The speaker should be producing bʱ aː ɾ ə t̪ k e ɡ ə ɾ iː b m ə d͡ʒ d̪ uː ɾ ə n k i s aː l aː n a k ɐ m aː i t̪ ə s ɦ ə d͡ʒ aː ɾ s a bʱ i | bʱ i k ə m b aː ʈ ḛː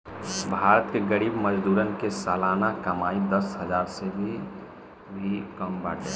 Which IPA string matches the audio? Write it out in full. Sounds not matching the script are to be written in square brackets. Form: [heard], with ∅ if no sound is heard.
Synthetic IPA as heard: bʱ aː ɾ ə t̪ k e ɡ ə ɾ iː b m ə d͡ʒ d̪ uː ɾ ə n k [e] s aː l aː n a k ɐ m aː i [d̪] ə s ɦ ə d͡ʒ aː ɾ s [e] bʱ i | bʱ i k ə m b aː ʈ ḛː

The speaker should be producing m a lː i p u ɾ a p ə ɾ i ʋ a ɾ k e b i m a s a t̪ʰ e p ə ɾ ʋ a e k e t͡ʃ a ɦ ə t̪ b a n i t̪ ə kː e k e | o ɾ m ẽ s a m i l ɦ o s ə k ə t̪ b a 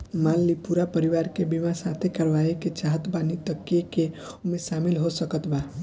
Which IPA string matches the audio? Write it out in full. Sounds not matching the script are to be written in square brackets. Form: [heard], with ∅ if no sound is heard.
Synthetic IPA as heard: m a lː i p u ɾ a p ə ɾ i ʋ a ɾ k e b i m a s a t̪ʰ e [k] ə ɾ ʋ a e k e t͡ʃ a ɦ ə t̪ b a n i t̪ ə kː e k e | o [∅] m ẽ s a m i l ɦ o s ə k ə t̪ b a

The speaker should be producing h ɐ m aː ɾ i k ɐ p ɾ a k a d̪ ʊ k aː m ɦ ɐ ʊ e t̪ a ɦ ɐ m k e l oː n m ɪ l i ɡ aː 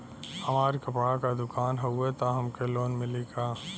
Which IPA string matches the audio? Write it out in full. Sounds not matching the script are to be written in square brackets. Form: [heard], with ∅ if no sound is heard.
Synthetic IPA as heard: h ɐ m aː ɾ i k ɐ p [ɽ] a k a d̪ ʊ k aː [n] ɦ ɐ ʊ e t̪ a ɦ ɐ m k e l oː n m ɪ l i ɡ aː

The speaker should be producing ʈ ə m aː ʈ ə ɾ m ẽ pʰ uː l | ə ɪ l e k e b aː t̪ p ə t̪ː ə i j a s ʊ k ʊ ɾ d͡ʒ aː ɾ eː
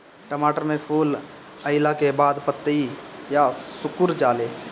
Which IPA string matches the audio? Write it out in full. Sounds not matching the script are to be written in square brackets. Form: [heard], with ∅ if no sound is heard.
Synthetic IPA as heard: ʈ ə m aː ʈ ə ɾ m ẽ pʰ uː l | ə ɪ l [a] k e b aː [d̪] p ə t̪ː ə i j a s ʊ k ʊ ɾ d͡ʒ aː [l] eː

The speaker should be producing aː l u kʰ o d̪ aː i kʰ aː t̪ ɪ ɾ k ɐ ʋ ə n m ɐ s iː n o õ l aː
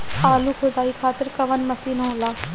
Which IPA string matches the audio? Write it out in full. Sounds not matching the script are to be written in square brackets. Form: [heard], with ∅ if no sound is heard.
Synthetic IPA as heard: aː l u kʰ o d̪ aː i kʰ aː t̪ ɪ ɾ k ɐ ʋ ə n m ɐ s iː n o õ l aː

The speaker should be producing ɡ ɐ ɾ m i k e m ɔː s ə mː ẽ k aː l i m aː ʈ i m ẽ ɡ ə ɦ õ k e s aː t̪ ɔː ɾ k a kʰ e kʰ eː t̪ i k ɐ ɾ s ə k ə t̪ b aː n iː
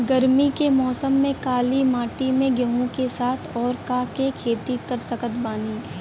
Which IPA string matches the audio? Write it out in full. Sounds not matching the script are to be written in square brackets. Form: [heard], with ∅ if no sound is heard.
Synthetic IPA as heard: ɡ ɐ ɾ m i k e m ɔː s ə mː ẽ k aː l i m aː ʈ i m ẽ ɡ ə ɦ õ k e s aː [t̪ʰ] ɔː ɾ k a [k] e kʰ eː t̪ i k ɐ ɾ s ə k ə t̪ b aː n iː

